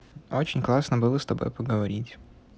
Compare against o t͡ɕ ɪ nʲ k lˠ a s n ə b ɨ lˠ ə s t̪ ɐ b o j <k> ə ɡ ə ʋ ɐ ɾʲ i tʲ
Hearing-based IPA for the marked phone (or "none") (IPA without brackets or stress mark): p